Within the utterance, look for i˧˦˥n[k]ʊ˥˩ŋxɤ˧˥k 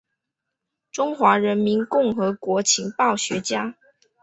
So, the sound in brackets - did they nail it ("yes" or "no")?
yes